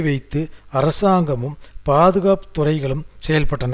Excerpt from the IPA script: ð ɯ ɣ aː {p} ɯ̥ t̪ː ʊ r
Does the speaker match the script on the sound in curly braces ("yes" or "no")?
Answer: yes